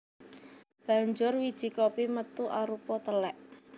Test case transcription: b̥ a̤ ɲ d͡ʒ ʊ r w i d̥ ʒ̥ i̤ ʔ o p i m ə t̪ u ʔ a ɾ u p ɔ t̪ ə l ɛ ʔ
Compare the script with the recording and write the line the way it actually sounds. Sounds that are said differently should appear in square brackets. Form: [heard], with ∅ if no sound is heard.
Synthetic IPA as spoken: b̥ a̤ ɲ d͡ʒ ʊ r w i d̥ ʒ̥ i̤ [k] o p i m ə t̪ u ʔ a ɾ u p ɔ t̪ ə l ɛ ʔ